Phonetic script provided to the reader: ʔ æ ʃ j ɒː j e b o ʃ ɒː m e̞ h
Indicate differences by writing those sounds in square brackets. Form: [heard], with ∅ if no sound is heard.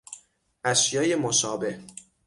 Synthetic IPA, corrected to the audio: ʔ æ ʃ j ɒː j e [m] o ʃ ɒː [b] e̞ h